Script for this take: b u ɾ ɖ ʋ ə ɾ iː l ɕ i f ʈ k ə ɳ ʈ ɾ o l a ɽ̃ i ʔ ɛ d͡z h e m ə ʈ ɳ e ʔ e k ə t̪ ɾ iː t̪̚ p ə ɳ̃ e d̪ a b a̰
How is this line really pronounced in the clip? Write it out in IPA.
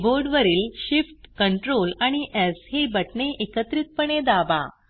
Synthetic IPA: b o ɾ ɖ ʋ ə ɾ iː l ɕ i f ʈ k ə ɳ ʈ ɾ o l a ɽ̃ i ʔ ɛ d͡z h e b ə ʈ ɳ e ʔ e k ə t̪ ɾ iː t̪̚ p ə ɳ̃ e d̪ a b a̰